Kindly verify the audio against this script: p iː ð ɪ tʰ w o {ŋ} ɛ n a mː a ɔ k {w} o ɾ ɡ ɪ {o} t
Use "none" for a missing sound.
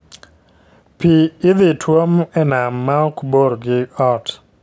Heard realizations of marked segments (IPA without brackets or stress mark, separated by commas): m, b, ɔ